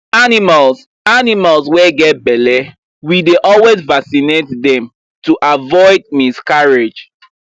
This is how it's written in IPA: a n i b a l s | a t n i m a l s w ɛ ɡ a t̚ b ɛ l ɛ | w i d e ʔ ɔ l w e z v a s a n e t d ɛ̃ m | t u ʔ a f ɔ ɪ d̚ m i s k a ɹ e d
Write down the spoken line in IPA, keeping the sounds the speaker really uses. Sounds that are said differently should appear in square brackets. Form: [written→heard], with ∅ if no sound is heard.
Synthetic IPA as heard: a n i [b→m] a l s | a [t→∅] n i m a l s w ɛ ɡ [a→ɛ] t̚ b ɛ l ɛ | w i d e ʔ ɔ l w e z v a s [a→i] n e t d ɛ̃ m | t u ʔ a [f→v] ɔ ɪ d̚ m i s k a ɹ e [d→d͡ʒ]